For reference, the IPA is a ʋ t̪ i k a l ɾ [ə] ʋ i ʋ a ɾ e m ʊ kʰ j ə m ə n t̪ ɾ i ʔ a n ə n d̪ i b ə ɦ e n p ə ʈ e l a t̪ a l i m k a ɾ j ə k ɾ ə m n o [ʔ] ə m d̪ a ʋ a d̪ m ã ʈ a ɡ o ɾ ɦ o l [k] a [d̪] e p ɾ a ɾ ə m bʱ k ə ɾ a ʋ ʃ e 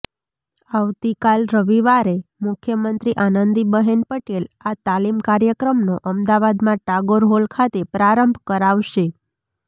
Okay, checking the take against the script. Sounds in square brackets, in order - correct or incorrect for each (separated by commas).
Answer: correct, correct, incorrect, incorrect